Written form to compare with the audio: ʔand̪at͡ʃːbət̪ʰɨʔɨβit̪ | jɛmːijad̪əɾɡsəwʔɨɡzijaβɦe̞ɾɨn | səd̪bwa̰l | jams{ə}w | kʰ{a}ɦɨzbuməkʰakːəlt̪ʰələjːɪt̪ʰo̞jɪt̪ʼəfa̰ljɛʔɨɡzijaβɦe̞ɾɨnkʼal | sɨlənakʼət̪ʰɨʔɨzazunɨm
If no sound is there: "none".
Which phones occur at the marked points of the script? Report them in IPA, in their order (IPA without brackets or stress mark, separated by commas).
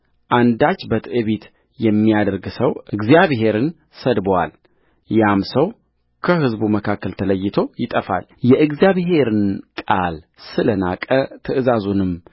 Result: ə, ə